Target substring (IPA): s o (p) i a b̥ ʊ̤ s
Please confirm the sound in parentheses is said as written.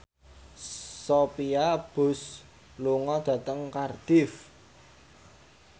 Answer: yes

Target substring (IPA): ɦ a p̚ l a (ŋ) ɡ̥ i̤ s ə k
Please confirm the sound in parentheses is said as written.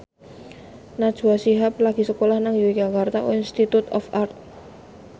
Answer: no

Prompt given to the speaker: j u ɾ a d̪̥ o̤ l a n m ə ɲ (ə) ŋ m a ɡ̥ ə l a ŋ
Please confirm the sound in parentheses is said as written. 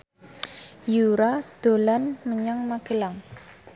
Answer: no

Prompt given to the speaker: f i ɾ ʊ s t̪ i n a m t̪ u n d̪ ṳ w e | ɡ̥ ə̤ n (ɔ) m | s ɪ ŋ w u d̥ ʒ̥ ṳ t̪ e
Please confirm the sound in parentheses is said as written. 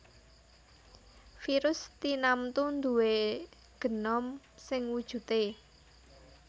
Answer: yes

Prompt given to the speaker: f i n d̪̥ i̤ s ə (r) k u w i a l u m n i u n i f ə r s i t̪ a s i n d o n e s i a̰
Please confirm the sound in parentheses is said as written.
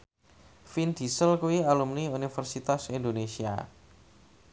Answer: no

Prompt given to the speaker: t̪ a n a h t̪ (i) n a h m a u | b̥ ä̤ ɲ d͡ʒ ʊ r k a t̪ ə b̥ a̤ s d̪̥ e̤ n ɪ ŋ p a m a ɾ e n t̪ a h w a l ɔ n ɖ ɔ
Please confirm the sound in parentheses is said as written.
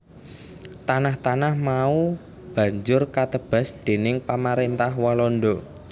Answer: no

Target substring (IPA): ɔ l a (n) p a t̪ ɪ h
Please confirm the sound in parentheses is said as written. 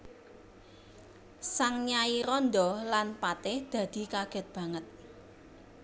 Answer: yes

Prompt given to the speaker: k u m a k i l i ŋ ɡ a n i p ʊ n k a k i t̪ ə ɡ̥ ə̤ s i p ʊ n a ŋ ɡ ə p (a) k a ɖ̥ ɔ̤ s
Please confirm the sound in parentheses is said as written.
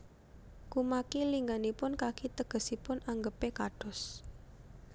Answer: no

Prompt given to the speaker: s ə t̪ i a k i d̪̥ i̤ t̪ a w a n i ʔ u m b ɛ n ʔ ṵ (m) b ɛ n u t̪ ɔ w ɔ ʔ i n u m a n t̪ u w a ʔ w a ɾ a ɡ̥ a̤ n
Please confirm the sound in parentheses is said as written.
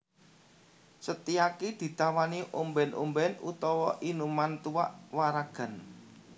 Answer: yes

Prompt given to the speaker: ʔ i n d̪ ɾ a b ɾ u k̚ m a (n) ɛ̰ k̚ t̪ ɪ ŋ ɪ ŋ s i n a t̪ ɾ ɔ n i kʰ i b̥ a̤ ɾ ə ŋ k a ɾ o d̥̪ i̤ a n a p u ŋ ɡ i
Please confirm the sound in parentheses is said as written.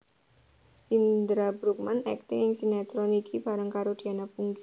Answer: yes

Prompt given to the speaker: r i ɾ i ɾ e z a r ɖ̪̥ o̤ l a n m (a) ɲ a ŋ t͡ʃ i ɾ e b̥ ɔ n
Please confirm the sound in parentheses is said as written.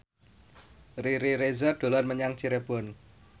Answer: no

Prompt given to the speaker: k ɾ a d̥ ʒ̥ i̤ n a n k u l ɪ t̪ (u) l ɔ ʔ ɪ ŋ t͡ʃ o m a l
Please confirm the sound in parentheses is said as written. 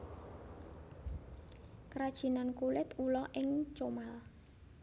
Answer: yes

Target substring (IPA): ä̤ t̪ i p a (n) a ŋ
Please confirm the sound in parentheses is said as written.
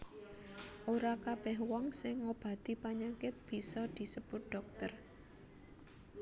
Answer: no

